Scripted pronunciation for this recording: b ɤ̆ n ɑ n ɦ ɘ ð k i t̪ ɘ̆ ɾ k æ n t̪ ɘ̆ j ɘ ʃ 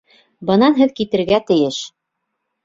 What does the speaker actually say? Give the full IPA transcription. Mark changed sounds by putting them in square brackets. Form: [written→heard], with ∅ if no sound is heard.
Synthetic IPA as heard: b ɤ̆ n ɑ n ɦ ɘ ð k i t̪ ɘ̆ ɾ [k→ɡ] æ [n→∅] t̪ ɘ̆ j ɘ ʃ